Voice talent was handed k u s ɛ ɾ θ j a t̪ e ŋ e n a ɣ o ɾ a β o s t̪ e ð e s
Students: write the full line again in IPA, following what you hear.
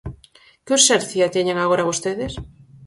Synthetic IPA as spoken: k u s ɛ ɾ θ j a t̪ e ɲ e ŋ a ɣ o ɾ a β o s t̪ e ð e s